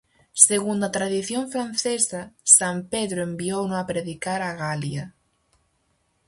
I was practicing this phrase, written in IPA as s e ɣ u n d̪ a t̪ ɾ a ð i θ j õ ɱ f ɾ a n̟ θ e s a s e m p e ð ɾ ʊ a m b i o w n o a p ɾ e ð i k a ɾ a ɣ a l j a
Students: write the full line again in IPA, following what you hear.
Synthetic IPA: s e ɣ u n d̪ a t̪ ɾ a ð i θ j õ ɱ f ɾ a n̟ θ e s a s a m p e ð ɾ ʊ e m b i o w n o a p ɾ e ð i k a ɾ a ɣ a l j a